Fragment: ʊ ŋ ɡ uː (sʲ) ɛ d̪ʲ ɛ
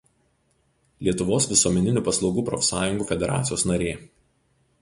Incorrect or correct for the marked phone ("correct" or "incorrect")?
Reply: incorrect